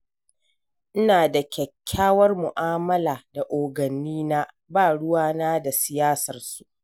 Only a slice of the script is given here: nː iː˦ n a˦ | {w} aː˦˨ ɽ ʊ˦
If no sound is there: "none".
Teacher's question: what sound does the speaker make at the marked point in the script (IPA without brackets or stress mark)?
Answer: b